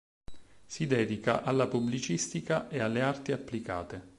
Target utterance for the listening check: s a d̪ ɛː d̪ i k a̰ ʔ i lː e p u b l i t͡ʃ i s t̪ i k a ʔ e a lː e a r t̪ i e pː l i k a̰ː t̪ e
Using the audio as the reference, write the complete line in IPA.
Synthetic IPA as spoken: s i d̪ ɛː d̪ i k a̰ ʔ a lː a p u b l i t͡ʃ i s t̪ i k a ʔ e a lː e a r t̪ i a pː l i k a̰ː t̪ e